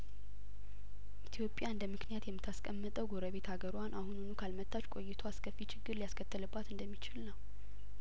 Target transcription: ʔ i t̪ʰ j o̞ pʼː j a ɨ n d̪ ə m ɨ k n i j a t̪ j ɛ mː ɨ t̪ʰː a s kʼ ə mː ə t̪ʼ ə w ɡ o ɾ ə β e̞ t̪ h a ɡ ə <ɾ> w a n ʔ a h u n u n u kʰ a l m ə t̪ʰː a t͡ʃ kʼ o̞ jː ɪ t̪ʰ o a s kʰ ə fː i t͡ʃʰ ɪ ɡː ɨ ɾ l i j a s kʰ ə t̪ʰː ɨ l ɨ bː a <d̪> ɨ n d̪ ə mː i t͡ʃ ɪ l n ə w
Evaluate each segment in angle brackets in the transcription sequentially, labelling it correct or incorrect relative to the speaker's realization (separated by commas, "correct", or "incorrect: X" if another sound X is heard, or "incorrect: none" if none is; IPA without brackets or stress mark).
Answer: correct, incorrect: t̪